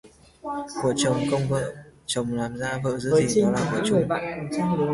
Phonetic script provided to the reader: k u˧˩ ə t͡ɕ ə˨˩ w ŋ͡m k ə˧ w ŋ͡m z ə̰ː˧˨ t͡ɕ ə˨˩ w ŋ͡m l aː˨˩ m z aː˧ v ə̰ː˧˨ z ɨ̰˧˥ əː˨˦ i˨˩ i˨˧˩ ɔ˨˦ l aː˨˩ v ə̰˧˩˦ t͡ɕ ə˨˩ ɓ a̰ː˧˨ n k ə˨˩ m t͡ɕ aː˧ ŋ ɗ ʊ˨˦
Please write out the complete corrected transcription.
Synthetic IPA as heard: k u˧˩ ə t͡ɕ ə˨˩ w ŋ͡m k ə˧ w ŋ͡m v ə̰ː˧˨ t͡ɕ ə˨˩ w ŋ͡m l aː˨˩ m z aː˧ v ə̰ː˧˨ z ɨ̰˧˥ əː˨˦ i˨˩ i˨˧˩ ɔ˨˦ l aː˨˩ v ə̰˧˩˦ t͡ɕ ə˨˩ ɓ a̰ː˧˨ n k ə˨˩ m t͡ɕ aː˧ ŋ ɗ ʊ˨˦

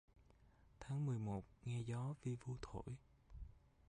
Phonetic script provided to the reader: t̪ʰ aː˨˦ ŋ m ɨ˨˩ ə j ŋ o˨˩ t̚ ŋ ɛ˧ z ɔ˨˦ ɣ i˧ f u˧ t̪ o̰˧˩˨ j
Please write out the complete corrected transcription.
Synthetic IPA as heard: t̪ʰ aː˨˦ ŋ m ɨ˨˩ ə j m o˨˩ t̚ ŋ ɛ˧ z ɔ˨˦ v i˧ v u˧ t̪ʰ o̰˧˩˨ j

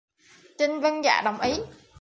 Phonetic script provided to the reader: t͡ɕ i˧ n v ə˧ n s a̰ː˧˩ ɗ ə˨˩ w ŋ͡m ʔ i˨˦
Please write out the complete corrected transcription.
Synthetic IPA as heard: t͡ɕ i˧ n v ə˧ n z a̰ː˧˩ ɗ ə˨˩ w ŋ͡m ʔ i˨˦

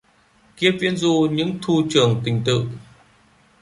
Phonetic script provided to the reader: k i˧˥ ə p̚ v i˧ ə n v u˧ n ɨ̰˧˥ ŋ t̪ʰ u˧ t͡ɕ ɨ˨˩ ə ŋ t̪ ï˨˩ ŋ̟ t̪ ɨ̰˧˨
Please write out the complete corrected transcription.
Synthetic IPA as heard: k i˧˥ ə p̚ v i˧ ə n z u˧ ɲ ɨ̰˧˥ ŋ t̪ʰ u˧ t͡ɕ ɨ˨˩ ə ŋ t̪ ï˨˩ ŋ̟ t̪ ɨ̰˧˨

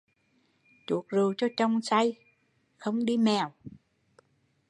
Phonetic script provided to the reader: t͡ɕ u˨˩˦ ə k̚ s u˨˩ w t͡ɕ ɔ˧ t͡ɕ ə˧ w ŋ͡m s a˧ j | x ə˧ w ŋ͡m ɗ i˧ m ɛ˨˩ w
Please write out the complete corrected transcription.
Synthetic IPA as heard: t͡ɕ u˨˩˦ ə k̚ z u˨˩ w t͡ɕ ɔ˧ t͡ɕ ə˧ w ŋ͡m s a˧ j | x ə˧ w ŋ͡m ɗ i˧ m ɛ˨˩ w

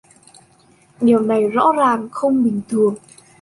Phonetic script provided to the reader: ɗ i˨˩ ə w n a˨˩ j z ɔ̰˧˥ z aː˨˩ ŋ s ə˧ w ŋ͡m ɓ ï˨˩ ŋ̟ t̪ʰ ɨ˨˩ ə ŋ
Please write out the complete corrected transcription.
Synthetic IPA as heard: ɗ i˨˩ ə w n a˨˩ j z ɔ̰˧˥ z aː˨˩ ŋ x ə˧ w ŋ͡m ɓ ï˨˩ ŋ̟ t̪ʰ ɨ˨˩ ə ŋ

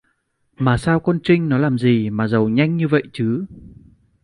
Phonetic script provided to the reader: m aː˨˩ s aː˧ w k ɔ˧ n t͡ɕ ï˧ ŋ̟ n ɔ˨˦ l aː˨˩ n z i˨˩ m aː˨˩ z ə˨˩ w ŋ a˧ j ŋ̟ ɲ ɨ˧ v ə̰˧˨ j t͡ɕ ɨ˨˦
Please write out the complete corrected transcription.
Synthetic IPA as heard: m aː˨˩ s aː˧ w k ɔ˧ n t͡ɕ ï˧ ŋ̟ n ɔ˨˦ l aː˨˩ m z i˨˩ m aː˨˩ z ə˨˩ w ɲ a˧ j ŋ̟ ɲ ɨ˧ v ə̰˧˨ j t͡ɕ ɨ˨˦

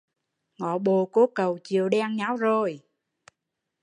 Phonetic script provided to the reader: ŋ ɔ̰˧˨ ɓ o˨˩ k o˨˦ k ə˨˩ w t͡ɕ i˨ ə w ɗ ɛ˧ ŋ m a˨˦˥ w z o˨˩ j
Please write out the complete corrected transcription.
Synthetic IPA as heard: ŋ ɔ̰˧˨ ɓ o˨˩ k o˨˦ k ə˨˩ w t͡ɕ i˨ ə w ɗ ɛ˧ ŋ ɲ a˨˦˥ w z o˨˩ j

